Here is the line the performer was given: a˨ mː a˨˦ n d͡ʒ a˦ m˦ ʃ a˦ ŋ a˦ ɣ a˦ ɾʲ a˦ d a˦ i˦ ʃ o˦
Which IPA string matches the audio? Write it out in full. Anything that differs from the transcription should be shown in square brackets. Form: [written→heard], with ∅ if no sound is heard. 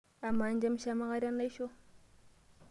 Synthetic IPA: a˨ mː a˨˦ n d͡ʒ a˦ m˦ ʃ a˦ [ŋ→m] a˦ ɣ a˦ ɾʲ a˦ [d→n] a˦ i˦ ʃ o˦